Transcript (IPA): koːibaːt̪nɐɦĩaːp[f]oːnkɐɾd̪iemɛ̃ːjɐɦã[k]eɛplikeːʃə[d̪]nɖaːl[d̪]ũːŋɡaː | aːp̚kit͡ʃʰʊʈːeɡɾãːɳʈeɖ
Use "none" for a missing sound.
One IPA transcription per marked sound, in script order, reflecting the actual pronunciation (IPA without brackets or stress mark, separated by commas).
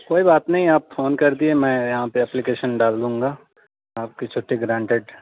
f, p, none, d̪